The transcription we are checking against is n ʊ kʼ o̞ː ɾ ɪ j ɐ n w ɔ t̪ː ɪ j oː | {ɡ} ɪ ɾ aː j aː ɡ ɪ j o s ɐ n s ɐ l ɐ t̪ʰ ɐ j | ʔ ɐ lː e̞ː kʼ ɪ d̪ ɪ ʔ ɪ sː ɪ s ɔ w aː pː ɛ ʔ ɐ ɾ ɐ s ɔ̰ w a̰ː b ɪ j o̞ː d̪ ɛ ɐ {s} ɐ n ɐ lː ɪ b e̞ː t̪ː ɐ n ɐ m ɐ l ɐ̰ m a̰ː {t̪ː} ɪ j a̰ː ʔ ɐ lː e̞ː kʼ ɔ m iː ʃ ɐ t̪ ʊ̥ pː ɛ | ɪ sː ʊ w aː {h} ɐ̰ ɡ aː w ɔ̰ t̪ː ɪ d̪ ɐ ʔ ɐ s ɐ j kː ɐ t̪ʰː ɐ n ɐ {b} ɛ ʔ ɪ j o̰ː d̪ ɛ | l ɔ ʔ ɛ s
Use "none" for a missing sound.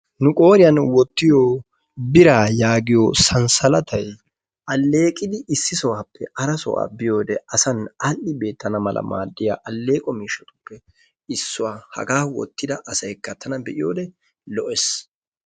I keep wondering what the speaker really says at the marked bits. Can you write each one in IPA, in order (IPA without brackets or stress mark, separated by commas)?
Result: b, s, d̪ː, h, b